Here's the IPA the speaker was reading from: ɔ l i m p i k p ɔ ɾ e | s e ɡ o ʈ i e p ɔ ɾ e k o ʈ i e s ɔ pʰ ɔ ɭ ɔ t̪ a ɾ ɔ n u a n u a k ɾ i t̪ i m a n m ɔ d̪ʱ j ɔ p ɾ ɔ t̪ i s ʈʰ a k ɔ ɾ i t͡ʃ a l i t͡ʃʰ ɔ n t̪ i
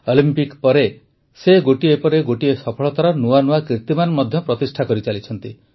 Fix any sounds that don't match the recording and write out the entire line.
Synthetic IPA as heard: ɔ l i m p i k p ɔ ɾ e | s e ɡ o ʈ i e p ɔ ɾ e ɡ o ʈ i e s ɔ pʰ ɔ ɭ ɔ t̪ a ɾ ɔ n u a n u a k ɾ i t̪ i m a n m ɔ d̪ʱ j ɔ p ɾ ɔ t̪ i s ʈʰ a k ɔ ɾ i t͡ʃ a l i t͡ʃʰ ɔ n t̪ i